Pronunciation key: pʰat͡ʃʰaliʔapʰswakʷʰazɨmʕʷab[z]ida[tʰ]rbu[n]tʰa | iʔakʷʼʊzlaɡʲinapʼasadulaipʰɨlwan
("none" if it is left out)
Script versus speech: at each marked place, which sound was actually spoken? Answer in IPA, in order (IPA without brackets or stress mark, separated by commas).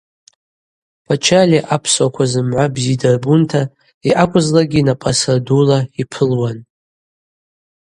z, none, n